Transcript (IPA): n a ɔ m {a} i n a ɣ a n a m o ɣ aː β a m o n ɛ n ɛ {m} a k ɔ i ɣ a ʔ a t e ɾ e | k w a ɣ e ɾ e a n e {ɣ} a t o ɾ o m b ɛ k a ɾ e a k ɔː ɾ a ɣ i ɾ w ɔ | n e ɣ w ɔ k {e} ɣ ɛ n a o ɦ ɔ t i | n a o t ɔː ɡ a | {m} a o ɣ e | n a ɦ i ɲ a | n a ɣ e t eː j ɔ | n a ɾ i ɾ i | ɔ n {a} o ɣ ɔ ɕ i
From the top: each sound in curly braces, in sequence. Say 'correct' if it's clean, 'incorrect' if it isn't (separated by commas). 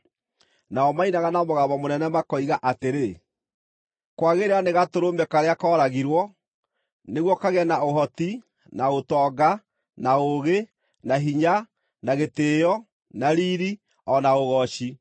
correct, correct, correct, incorrect, incorrect, correct